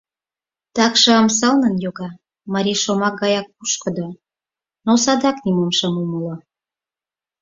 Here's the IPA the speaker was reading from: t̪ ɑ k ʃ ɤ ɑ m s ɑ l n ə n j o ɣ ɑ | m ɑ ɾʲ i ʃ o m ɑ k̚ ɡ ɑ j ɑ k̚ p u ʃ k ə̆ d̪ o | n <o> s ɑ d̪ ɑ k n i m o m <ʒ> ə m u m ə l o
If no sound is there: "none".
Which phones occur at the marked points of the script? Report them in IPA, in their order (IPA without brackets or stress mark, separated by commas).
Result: o, ʃ